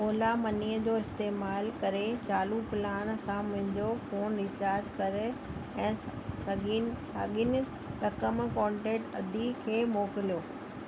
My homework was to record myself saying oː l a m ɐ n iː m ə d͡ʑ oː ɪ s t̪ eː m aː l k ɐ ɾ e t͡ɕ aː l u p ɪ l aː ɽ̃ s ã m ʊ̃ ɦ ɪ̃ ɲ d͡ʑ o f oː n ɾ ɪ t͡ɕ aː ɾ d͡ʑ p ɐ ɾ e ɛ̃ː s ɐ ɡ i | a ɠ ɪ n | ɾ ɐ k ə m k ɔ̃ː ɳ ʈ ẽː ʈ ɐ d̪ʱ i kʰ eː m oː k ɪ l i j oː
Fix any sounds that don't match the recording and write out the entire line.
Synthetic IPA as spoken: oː l a m ɐ n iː ə d͡ʑ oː ɪ s t̪ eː m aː l k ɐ ɾ e t͡ɕ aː l u p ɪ l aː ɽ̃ s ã m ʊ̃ ɦ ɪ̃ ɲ d͡ʑ o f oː n ɾ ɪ t͡ɕ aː ɾ d͡ʑ k ɐ ɾ e ɛ̃ː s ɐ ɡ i | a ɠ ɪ n | ɾ ɐ k ə m k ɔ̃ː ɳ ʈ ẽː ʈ ɐ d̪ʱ i kʰ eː m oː k ɪ l i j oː